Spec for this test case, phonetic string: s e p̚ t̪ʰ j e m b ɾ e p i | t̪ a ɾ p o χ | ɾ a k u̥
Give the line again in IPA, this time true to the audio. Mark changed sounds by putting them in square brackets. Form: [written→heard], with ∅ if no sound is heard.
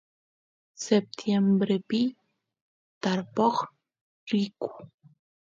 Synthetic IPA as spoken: s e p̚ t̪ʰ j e m b ɾ e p i | t̪ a ɾ p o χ | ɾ [a→i] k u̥